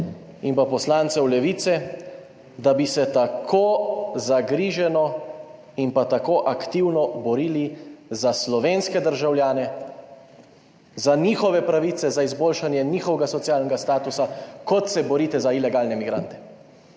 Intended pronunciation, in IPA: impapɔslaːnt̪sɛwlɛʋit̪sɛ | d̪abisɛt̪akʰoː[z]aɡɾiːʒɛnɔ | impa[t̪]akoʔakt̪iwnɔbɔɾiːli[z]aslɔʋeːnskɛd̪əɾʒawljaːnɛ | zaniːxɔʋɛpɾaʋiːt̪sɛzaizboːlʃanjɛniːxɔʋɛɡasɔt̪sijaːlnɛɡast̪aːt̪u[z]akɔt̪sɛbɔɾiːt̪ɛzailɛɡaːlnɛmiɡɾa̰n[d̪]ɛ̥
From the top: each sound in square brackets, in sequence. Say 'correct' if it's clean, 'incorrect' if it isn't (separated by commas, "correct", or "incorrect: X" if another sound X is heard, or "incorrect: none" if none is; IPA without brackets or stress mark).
correct, correct, correct, incorrect: s, incorrect: t̪